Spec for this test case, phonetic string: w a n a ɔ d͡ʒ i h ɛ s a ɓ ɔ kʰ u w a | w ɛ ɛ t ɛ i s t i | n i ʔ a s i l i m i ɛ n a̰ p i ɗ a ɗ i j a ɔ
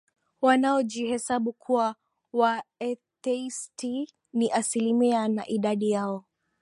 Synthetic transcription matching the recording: w a n a ɔ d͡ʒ i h ɛ s a ɓ u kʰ u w a | w a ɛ t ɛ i s t i | n i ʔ a s i l i m i a n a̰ ʔ i ɗ a ɗ i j a ɔ